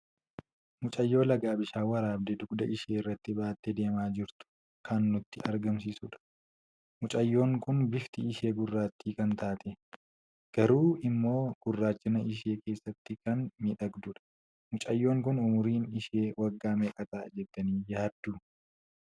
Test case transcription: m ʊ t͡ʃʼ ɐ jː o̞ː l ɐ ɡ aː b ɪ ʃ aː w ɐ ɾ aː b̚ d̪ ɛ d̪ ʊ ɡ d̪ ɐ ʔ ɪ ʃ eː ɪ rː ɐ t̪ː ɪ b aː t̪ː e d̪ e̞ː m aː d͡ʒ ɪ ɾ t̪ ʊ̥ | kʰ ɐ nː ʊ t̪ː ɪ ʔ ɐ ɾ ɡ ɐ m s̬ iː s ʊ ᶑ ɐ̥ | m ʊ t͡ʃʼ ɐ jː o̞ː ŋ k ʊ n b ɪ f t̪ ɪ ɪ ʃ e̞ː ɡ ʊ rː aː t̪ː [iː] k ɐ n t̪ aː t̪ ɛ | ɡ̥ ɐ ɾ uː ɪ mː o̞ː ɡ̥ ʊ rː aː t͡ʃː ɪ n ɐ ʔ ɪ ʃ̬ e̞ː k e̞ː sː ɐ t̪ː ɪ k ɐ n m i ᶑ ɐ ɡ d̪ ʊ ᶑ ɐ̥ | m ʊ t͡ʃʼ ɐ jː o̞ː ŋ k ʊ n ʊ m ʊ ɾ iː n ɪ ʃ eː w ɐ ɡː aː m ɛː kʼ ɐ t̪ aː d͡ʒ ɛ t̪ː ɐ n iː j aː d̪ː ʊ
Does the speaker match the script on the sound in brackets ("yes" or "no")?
yes